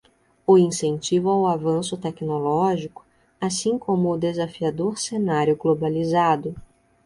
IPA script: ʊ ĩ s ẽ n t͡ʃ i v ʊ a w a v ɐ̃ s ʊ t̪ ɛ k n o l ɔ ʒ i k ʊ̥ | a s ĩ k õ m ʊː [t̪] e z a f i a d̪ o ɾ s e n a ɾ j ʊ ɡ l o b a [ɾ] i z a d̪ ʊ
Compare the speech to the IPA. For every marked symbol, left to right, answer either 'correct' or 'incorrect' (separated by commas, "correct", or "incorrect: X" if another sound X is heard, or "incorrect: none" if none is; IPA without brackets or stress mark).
incorrect: d̪, incorrect: l